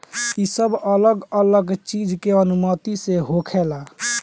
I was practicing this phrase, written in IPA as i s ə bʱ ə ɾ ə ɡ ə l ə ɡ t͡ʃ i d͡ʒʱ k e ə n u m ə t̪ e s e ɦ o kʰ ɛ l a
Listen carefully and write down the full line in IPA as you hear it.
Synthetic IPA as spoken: i s ə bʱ ə l ə ɡ ə l ə ɡ t͡ʃ i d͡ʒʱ k e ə n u m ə t̪ i s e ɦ o kʰ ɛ l a